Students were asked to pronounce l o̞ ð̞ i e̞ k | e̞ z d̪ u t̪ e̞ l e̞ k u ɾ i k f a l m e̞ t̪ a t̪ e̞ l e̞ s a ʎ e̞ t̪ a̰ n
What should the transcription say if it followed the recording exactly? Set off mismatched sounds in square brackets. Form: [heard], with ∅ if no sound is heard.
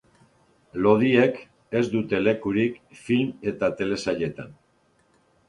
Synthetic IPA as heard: l o̞ ð̞ i e̞ k | e̞ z d̪ u t̪ e̞ l e̞ k u ɾ i k f [i] l m e̞ t̪ a t̪ e̞ l e̞ s a ʎ e̞ t̪ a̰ n

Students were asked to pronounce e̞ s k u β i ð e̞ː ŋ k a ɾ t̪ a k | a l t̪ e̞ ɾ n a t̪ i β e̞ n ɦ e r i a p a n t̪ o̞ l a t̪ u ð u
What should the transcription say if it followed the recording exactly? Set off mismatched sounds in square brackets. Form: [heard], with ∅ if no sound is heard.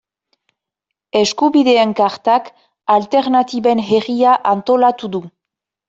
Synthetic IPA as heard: e̞ s k u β i ð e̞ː ŋ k a ɾ t̪ a k | a l t̪ e̞ ɾ n a t̪ i β e̞ n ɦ e r i a [ʔ] a n t̪ o̞ l a t̪ u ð u

